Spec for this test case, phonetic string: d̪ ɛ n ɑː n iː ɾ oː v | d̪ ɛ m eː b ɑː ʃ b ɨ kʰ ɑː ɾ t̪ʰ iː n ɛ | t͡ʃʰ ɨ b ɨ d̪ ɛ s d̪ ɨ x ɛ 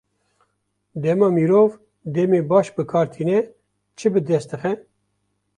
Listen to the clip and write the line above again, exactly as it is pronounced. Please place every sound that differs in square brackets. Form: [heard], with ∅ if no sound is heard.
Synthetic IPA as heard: d̪ ɛ [m] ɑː [m] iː ɾ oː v | d̪ ɛ m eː b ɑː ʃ b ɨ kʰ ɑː ɾ t̪ʰ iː n ɛ | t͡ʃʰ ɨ b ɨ d̪ ɛ s [t̪] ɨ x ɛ